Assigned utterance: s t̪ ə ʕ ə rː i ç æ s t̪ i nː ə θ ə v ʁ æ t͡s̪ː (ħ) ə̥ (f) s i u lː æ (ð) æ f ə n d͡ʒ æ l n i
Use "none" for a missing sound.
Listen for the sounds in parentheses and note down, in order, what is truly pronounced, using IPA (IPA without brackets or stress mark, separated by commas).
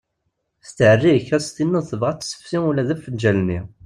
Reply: s, f, ð